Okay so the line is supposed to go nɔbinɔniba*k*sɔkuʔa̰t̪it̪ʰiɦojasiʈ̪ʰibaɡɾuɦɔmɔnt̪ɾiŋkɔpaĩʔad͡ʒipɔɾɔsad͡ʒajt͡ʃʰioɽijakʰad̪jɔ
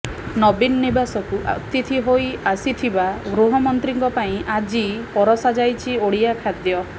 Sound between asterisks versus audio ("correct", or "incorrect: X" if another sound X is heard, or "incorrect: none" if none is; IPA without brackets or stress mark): incorrect: none